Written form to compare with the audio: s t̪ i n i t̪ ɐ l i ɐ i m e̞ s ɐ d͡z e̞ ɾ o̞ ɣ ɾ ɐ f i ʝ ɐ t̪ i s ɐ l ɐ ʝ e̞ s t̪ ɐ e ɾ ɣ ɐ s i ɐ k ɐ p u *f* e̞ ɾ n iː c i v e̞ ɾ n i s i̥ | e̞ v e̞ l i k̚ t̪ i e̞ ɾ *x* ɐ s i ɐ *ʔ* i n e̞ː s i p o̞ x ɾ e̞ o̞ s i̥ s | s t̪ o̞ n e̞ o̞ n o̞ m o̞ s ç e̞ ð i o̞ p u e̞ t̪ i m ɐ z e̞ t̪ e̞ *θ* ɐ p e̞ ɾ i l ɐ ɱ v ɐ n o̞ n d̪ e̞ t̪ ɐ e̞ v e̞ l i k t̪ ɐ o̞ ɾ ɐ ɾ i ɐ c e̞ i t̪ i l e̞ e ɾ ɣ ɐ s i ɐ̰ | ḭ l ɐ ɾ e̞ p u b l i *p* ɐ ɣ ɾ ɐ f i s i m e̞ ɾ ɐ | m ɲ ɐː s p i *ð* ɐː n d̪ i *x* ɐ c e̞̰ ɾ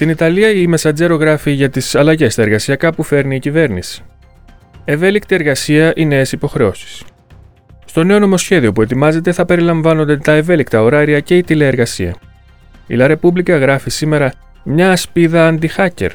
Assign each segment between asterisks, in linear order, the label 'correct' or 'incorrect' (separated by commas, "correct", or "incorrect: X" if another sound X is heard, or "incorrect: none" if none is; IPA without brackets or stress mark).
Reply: correct, incorrect: ɣ, correct, correct, incorrect: k, correct, correct